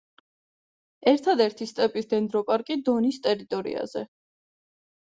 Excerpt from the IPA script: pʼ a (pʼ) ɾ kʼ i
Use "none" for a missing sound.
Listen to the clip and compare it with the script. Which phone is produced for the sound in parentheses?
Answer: none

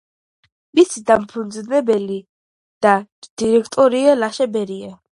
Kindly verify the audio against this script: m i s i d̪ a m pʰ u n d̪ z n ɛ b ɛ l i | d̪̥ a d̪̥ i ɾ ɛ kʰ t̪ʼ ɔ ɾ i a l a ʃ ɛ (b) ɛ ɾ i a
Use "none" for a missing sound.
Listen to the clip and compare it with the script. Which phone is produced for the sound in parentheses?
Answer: b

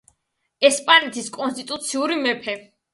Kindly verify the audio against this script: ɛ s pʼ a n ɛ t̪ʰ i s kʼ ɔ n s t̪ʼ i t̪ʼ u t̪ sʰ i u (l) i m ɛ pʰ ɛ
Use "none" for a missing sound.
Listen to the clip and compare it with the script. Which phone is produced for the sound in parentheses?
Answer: ɾ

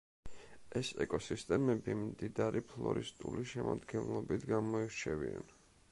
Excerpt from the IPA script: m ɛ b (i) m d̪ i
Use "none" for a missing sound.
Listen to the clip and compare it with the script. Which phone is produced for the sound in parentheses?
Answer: i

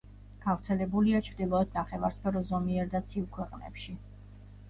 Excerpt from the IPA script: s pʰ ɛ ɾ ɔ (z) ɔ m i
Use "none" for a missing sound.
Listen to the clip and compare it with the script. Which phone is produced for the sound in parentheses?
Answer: z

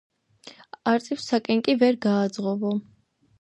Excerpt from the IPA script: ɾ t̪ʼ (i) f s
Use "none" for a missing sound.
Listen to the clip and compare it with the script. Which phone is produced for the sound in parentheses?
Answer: i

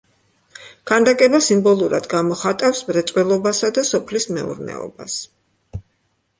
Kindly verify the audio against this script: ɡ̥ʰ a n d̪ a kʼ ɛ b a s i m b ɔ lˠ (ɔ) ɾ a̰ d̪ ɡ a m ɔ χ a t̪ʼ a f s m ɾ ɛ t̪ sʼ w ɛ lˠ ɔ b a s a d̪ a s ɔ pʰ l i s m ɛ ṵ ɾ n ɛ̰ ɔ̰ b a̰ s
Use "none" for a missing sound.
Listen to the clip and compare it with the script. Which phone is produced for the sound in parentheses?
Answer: u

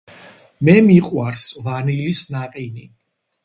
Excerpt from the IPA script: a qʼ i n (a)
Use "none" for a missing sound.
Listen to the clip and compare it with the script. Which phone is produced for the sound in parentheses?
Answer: i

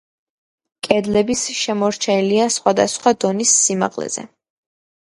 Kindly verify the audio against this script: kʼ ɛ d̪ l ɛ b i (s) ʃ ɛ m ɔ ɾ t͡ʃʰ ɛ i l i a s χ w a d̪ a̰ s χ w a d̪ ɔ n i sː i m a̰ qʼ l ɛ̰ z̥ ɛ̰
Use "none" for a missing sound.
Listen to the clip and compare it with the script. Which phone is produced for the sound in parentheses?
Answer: s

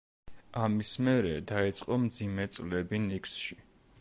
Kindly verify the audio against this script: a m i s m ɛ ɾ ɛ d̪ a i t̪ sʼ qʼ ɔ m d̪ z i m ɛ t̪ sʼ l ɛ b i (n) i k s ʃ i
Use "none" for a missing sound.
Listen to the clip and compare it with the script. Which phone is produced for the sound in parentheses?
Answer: n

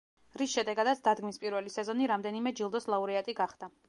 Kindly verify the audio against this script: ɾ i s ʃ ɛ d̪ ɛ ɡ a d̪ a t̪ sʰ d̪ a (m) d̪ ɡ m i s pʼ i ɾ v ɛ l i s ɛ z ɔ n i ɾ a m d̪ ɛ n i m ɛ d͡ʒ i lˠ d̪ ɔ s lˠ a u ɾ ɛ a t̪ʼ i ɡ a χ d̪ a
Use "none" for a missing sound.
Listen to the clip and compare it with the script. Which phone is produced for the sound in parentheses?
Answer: none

